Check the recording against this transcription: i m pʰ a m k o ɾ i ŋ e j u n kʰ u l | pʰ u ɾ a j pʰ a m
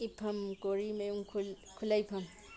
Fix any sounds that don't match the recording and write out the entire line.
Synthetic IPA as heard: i pʰ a m k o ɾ i m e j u ŋ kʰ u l | kʰ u l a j pʰ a m